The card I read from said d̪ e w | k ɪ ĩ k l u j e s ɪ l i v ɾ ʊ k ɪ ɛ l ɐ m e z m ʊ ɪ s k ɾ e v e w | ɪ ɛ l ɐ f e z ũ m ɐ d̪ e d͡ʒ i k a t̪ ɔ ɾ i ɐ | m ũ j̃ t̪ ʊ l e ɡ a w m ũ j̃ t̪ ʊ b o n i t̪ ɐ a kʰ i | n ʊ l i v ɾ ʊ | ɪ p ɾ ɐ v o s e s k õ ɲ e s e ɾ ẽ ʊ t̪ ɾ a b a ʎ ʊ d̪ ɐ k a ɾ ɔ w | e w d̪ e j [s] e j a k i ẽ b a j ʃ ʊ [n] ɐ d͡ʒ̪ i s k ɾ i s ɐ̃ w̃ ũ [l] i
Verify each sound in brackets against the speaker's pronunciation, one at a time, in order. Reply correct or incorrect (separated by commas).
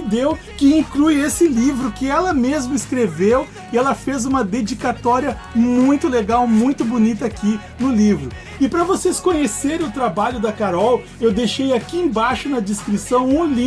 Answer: incorrect, correct, correct